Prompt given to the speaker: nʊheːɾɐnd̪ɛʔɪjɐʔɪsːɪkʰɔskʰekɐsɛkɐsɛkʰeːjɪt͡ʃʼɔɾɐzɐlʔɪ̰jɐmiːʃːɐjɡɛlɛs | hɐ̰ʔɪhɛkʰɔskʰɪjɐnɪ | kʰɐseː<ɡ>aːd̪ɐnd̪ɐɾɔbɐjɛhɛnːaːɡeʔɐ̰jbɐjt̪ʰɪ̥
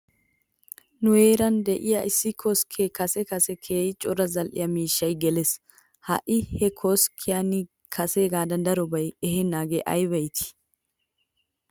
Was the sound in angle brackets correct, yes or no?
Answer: yes